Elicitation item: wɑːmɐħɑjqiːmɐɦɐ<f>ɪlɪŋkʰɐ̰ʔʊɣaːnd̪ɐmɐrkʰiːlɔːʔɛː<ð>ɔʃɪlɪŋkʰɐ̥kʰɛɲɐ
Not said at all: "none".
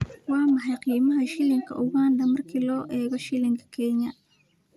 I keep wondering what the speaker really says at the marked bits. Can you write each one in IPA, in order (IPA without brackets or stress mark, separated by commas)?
ʃ, ɣ